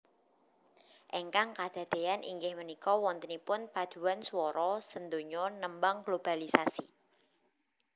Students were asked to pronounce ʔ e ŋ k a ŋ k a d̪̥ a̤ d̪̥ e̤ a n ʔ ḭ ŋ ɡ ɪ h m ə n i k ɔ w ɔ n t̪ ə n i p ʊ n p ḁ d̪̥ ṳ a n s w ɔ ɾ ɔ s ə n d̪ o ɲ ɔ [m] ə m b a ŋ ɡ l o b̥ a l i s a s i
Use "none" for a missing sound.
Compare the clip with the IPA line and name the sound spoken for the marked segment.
n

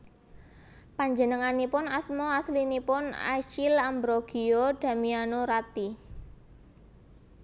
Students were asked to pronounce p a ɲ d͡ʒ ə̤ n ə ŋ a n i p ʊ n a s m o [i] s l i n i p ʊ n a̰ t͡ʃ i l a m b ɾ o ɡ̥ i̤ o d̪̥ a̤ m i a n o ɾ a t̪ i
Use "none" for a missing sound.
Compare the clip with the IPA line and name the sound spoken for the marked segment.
a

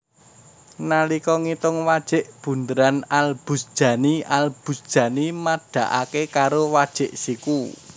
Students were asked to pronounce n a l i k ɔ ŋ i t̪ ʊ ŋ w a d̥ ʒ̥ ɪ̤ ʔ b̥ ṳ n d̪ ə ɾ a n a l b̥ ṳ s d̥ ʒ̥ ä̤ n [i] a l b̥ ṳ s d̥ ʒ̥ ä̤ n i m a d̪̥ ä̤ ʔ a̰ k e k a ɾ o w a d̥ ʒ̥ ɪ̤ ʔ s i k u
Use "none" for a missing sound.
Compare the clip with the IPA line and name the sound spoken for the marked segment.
i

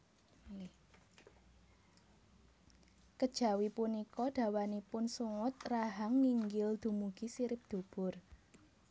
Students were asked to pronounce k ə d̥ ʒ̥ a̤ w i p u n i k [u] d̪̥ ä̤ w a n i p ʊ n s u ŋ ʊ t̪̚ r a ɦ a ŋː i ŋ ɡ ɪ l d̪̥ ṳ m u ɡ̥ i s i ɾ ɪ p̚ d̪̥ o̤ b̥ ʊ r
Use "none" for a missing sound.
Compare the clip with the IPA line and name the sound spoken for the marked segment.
ɔ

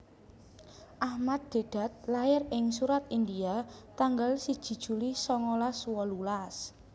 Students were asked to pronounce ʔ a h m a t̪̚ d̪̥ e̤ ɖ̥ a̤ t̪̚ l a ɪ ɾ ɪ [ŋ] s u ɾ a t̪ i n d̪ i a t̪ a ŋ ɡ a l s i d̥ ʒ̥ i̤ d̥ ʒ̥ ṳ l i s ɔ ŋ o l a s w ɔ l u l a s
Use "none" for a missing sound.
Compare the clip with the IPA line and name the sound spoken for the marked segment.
ŋ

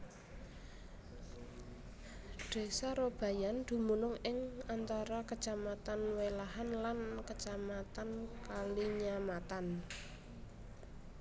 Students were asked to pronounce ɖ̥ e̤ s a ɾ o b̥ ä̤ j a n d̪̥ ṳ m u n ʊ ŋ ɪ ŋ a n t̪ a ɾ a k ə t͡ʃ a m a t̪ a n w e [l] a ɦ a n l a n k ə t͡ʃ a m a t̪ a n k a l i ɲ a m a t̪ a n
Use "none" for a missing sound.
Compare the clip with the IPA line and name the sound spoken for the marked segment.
l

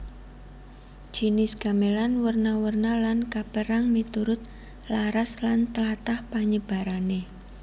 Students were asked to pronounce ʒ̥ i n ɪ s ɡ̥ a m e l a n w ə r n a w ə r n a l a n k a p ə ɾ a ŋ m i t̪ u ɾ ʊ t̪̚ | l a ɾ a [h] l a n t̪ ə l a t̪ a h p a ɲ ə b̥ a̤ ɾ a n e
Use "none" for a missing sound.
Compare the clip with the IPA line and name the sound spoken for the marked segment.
s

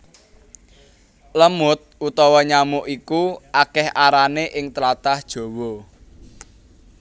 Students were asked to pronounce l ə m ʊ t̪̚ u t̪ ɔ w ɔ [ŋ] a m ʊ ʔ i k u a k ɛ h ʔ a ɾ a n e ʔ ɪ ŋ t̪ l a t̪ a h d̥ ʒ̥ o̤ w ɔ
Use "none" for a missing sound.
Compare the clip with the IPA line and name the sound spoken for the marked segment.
ɲ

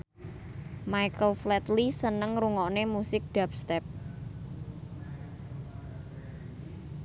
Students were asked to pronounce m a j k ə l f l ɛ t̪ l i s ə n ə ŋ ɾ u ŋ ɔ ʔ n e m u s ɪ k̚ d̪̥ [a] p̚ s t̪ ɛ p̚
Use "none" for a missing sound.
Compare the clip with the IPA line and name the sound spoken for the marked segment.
a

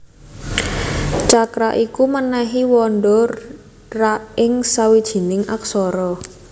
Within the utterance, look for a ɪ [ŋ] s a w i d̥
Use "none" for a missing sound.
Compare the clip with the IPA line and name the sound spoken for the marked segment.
ŋ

